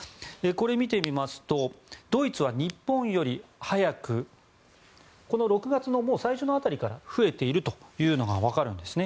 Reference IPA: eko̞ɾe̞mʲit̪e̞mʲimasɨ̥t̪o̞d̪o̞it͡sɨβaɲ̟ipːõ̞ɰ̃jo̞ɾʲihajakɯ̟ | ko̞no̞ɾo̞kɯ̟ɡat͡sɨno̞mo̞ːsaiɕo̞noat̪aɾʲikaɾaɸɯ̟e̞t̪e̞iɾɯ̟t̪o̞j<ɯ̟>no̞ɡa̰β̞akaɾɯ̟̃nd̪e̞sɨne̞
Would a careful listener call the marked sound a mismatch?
yes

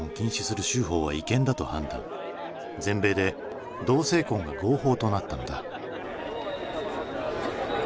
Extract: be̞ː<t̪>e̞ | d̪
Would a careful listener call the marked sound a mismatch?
yes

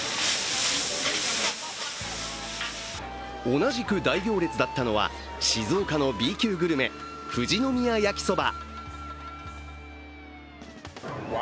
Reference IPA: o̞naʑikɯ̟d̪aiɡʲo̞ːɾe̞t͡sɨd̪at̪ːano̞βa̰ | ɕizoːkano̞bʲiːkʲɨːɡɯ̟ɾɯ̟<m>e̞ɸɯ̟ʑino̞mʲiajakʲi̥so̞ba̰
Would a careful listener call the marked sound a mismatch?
no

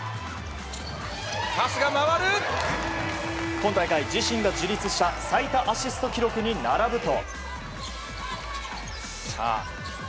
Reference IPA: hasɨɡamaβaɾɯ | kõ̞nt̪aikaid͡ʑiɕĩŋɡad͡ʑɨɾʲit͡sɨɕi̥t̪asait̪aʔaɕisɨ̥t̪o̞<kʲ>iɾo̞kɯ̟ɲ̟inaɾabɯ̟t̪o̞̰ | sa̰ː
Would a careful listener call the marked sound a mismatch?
no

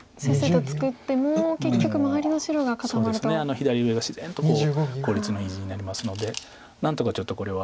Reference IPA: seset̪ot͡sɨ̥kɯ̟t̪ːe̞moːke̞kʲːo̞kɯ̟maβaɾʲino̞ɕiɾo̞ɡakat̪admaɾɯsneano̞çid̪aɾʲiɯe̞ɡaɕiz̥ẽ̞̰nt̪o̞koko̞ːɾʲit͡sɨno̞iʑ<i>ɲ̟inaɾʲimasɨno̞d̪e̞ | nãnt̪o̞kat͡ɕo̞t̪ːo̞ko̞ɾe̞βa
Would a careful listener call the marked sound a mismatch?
no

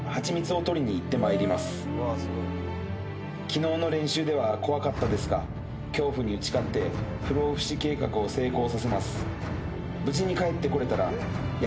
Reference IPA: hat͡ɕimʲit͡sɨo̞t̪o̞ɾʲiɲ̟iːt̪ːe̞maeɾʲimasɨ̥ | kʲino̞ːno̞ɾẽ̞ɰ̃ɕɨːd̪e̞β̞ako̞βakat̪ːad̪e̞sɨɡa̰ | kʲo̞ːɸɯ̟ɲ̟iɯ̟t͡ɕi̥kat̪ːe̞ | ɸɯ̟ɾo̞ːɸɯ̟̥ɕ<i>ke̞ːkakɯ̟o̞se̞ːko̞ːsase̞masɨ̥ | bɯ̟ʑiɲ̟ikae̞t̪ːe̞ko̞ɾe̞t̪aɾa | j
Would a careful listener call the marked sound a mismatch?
no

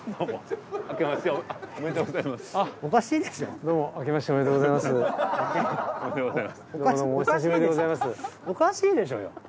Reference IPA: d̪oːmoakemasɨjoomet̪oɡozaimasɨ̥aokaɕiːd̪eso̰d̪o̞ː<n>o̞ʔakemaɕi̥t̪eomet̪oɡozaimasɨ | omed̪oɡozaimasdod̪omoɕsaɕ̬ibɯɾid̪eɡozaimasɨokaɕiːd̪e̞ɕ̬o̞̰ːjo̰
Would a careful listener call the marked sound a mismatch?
yes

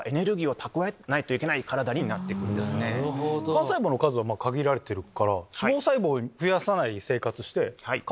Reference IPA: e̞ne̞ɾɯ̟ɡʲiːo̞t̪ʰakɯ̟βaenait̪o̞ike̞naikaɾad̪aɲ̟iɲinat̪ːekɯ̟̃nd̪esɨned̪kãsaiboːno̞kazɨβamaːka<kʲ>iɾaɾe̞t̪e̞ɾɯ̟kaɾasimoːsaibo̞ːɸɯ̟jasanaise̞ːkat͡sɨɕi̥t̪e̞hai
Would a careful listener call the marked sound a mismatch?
yes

